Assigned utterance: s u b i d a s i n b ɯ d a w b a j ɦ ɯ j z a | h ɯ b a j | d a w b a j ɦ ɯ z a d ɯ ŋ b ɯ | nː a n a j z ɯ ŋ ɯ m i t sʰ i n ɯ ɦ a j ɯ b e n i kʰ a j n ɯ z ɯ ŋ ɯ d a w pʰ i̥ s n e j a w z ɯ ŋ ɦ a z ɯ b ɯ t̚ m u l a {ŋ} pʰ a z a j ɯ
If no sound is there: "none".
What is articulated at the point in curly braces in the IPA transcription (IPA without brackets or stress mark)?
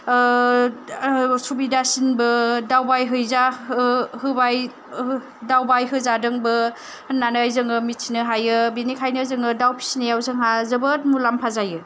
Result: m